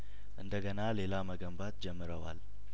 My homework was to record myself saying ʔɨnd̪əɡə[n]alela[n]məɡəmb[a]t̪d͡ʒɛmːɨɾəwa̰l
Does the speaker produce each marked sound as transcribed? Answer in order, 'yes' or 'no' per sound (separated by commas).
yes, no, yes